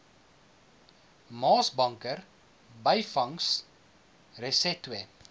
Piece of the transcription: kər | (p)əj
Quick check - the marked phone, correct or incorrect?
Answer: incorrect